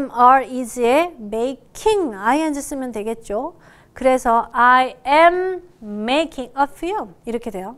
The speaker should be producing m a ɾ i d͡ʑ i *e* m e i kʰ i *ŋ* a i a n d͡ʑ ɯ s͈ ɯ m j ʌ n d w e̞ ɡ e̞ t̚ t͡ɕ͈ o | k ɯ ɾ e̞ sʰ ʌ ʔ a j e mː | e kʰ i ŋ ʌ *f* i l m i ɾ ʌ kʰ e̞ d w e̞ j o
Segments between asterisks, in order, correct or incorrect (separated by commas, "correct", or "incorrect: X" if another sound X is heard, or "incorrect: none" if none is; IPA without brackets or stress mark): correct, correct, correct